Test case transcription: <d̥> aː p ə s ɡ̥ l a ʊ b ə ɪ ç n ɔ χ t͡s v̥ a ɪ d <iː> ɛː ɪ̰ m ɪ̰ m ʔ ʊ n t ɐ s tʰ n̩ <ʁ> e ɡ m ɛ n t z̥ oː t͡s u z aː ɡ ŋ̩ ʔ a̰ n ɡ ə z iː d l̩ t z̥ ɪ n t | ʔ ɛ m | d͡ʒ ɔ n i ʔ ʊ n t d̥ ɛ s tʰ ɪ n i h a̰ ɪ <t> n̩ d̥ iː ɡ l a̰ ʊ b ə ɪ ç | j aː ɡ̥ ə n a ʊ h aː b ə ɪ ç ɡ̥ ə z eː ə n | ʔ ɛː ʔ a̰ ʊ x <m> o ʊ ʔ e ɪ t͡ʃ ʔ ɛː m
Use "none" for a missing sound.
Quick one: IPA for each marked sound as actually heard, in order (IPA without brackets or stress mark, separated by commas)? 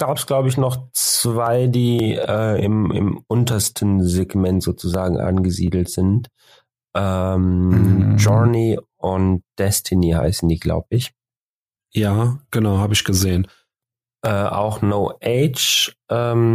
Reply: ɡ̥, iː, z, s, n